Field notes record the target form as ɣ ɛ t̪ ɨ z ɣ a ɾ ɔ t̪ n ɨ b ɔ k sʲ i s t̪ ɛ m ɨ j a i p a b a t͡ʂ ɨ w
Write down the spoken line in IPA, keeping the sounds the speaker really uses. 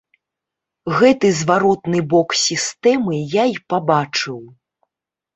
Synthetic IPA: ɣ ɛ t̪ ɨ z v a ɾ ɔ t̪ n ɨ b ɔ k sʲ i s t̪ ɛ m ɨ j a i p a b a t͡ʂ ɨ w